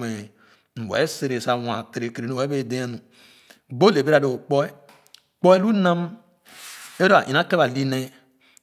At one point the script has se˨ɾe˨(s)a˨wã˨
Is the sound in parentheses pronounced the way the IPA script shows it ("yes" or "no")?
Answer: yes